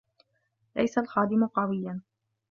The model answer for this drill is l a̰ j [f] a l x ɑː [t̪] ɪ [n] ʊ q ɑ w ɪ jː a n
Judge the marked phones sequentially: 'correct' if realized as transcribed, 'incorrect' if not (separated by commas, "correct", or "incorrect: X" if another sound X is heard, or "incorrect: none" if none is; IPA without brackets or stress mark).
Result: incorrect: s, incorrect: d̪, incorrect: m